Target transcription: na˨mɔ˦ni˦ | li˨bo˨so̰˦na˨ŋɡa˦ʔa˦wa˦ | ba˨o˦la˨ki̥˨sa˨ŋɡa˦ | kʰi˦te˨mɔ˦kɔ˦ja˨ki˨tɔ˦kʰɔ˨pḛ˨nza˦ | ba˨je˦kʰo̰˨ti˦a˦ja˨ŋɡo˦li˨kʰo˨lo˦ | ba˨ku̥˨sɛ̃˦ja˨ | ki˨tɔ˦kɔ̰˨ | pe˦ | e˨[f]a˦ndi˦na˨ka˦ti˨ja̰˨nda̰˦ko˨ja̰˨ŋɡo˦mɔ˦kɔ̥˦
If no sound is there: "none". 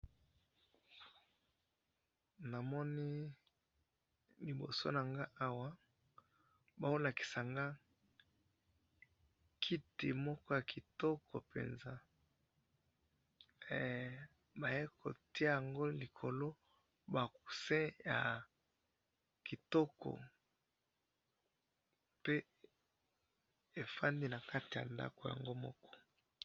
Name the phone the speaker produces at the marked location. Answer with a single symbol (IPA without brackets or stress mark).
f